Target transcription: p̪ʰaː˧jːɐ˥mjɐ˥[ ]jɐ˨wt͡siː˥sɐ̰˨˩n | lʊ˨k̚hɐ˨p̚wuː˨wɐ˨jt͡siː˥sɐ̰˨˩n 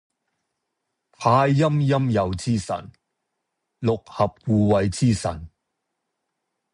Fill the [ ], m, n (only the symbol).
m